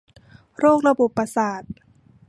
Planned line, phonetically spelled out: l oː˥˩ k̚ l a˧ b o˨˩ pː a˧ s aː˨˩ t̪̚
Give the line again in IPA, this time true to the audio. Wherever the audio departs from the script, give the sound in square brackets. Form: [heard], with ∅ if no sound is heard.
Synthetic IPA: [ɾ] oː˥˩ k̚ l a˧ b o˨˩ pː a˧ s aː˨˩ t̪̚